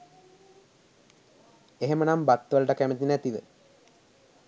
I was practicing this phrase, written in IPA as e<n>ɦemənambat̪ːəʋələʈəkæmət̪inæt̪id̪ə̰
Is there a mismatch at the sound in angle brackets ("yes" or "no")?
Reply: yes